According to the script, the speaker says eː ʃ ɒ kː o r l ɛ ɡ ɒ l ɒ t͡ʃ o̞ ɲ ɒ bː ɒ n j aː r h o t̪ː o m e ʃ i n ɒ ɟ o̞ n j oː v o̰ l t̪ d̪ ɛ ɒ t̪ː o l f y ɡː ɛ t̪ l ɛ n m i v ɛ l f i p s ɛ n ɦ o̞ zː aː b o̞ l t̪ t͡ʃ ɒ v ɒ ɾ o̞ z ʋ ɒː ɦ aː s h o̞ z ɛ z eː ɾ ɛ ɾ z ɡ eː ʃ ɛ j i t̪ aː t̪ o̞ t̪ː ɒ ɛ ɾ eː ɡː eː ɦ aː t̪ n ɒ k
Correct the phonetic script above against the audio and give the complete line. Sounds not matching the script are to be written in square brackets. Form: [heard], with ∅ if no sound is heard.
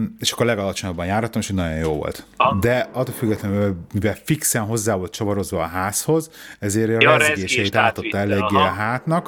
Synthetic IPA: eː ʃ ɒ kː o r l ɛ ɡ ɒ l ɒ t͡ʃ o̞ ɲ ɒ bː ɒ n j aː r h [ɒ] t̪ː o m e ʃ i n ɒ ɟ o̞ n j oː v o̰ l t̪ d̪ ɛ ɒ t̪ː o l f y ɡː ɛ t̪ l ɛ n m i v ɛ l f i [k] s ɛ n ɦ o̞ zː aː [v] o̞ l t̪ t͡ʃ ɒ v ɒ ɾ o̞ z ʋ ɒː ɦ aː s h o̞ z ɛ z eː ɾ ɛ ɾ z ɡ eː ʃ ɛ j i t̪ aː t̪ o̞ t̪ː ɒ ɛ [l] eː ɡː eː ɦ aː t̪ n ɒ k